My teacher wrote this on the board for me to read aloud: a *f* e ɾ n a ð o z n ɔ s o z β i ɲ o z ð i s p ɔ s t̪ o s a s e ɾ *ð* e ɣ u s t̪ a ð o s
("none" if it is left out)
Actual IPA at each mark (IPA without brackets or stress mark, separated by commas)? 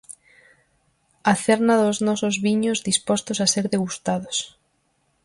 θ, ð